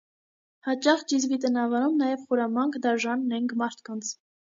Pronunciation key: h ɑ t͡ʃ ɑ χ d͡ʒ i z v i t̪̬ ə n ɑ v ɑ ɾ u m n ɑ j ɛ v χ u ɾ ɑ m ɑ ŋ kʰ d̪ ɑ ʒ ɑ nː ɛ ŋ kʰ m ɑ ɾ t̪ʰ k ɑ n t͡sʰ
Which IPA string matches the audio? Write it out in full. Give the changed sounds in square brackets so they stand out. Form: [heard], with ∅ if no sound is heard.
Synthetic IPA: h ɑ t͡ʃ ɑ χ d͡ʒ i z v i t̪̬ ə n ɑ v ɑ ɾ u m n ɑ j ɛ v χ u ɾ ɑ m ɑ ŋ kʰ d̪ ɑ ʒ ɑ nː ɛ ŋ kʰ m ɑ ɾ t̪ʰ k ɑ n t͡sʰ